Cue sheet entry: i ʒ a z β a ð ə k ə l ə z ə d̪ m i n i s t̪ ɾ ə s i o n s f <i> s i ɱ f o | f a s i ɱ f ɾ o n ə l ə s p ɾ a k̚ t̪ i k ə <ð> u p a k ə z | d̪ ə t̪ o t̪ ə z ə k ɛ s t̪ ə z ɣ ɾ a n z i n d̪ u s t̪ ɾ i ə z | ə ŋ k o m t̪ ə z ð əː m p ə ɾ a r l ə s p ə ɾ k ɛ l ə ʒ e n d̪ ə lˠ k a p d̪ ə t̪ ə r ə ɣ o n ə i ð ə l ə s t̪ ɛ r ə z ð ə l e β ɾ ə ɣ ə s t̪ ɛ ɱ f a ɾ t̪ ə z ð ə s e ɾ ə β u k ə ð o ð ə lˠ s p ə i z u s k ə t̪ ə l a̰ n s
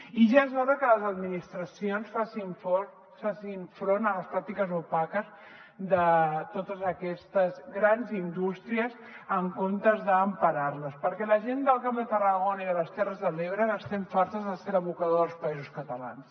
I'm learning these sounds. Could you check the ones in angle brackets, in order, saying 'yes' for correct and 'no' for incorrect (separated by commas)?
no, no